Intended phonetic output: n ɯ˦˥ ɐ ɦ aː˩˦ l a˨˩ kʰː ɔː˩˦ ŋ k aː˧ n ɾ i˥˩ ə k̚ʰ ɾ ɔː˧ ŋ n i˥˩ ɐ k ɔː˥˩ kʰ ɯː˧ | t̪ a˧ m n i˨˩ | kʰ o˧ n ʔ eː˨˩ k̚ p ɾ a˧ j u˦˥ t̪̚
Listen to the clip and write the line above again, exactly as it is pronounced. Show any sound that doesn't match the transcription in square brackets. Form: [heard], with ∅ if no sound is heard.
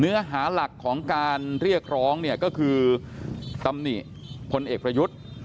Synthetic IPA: n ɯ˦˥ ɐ ɦ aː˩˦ l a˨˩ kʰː ɔː˩˦ ŋ k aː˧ n ɾ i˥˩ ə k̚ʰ ɾ [ɔː˦˥] ŋ n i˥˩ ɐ k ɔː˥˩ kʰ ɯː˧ | t̪ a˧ m n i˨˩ | [pʰ] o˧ n ʔ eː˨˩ k̚ p ɾ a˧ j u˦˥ t̪̚